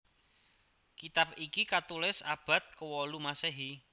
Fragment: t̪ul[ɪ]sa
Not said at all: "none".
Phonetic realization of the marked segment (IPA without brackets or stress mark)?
ɪ